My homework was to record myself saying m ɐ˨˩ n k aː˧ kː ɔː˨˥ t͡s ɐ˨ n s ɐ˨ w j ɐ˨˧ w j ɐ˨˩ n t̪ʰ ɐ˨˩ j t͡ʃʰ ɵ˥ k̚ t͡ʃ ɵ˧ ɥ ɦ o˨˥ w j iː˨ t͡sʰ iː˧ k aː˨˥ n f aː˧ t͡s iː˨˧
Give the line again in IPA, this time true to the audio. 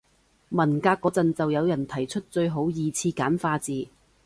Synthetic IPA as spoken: m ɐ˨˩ n k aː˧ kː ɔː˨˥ t͡s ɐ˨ n t͡s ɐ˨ w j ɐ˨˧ w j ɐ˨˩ n t̪ʰ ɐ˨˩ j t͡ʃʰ ɵ˥ t̚ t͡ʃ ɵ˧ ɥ ɦ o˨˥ w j iː˨ t͡sʰ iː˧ k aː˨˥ n f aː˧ t͡s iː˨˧

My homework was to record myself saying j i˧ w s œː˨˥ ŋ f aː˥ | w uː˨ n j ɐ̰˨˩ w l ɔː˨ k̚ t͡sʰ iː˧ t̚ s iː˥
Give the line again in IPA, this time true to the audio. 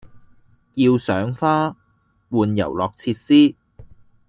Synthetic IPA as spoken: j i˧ w s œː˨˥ ŋ f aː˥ | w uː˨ n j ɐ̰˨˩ w l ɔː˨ k̚ t͡sʰ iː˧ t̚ s iː˥

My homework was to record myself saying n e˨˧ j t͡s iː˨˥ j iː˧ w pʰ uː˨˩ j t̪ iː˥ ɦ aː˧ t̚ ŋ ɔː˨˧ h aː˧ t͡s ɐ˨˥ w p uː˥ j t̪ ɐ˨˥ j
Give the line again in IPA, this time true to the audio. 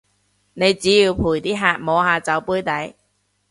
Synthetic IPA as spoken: n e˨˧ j t͡s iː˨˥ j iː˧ w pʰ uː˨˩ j t̪ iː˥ ɦ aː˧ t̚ m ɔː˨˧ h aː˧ t͡s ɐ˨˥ w p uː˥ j t̪ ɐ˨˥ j

